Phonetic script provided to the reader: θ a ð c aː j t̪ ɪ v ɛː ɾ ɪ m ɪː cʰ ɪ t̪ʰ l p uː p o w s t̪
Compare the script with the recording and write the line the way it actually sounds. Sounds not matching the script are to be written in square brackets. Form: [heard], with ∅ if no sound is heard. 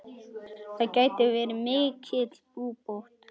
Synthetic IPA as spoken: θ a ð c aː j t̪ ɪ v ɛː ɾ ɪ m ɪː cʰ ɪ [t̪] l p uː p o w [h] t̪